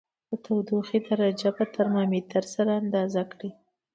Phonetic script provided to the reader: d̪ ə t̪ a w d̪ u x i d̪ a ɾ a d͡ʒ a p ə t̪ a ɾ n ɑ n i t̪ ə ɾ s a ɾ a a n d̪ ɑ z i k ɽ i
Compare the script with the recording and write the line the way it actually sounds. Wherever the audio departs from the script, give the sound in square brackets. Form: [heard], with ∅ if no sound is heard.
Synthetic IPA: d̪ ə t̪ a w d̪ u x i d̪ a ɾ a d͡ʒ a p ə t̪ a ɾ [m] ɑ [m] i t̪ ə ɾ s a ɾ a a n d̪ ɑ z [a] k ɽ i